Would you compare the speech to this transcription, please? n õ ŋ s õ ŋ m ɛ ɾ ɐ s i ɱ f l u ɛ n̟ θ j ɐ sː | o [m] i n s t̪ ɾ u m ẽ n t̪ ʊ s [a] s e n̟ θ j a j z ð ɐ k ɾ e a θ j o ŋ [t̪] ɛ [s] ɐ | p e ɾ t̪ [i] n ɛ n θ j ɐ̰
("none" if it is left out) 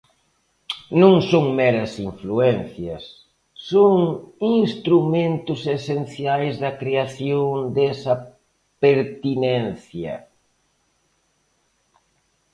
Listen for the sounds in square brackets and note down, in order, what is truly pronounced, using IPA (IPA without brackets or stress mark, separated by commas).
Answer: ŋ, e, d̪, s, i